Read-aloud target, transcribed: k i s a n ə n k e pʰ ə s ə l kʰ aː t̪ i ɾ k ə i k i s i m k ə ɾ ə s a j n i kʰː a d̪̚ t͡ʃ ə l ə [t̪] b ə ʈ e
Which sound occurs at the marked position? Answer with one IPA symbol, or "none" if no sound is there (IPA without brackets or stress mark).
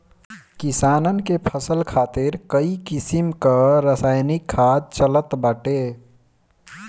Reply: t̪